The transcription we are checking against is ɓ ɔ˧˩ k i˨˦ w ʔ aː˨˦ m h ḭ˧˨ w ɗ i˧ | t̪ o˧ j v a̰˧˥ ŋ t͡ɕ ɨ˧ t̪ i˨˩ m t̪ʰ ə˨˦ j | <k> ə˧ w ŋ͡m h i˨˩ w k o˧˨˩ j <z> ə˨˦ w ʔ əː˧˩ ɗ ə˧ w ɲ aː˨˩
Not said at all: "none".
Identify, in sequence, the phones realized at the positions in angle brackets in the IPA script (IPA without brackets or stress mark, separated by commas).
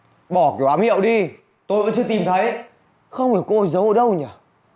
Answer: x, z